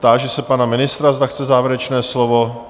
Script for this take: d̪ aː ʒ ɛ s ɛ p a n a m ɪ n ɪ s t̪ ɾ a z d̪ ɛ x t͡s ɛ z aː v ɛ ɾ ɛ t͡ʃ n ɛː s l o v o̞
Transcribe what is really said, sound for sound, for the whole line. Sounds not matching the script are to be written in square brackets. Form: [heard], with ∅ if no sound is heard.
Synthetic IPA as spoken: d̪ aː ʒ ɛ s ɛ p a n a m ɪ n ɪ s t̪ ɾ a z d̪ [a] x t͡s ɛ z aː v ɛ ɾ ɛ t͡ʃ n ɛː s l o v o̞